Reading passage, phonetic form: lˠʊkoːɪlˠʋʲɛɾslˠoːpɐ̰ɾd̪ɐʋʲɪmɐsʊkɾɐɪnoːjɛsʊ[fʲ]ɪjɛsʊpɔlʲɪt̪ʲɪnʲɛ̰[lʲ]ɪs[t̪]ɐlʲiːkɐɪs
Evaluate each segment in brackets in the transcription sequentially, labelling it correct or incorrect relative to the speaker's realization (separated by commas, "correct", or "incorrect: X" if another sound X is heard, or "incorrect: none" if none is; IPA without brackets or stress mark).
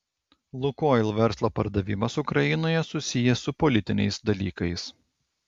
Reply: incorrect: sʲ, incorrect: none, incorrect: d̪